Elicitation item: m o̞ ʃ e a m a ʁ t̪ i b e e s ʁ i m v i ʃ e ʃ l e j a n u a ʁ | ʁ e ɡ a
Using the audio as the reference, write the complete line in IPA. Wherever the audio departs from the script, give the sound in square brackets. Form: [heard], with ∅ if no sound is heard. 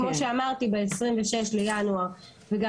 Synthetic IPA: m o̞ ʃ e a m a ʁ t̪ i b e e s ʁ i m v [e] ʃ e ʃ l e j a n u a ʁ | [v] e ɡ a

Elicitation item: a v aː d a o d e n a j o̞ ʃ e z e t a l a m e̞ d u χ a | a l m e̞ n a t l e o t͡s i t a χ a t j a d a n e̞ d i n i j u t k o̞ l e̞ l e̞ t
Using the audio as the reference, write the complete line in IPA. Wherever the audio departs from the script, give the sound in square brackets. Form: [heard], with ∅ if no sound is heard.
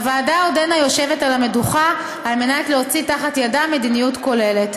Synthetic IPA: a v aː d a o d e n a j o̞ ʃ e [v] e t a l a m e̞ d u χ a | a l m e̞ n a t l e o t͡s i t a χ a t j a d a [m] e̞ d i n i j u t k o̞ l e̞ l e̞ t

